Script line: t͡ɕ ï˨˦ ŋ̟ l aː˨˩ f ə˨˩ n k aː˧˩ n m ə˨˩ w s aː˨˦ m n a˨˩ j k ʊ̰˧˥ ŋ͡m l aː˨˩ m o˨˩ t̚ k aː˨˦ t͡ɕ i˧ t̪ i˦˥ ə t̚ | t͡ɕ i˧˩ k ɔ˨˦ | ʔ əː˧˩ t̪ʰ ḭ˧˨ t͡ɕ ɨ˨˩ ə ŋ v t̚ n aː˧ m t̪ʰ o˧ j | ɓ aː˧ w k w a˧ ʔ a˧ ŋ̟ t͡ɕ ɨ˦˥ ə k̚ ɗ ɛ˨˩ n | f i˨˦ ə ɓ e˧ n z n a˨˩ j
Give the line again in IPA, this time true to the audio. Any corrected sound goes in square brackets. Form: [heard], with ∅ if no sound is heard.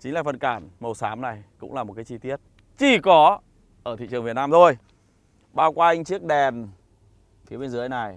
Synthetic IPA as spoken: t͡ɕ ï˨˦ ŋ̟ l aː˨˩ f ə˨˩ n k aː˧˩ n m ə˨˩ w s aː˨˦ m n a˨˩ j k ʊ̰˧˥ ŋ͡m l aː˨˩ m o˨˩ t̚ k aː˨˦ t͡ɕ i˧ t̪ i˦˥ ə t̚ | t͡ɕ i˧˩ k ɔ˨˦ | ʔ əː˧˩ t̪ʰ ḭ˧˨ t͡ɕ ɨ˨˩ ə ŋ v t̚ n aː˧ m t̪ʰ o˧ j | ɓ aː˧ w k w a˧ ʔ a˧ ŋ̟ t͡ɕ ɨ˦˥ ə k̚ ɗ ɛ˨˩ n | f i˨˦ ə ɓ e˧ n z n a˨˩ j